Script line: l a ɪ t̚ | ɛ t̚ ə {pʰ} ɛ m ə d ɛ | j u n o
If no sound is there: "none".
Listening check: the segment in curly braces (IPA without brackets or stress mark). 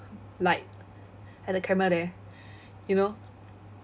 kʰ